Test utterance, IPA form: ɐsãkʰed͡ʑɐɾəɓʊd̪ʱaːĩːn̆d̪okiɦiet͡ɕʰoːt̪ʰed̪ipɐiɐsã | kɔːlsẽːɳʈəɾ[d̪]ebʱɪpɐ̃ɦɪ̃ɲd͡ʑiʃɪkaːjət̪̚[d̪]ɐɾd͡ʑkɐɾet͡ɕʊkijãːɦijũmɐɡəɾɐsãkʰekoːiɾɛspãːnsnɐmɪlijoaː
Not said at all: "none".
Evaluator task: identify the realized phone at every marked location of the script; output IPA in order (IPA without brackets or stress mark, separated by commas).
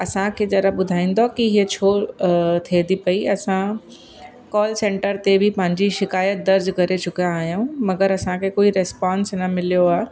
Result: t̪, d̪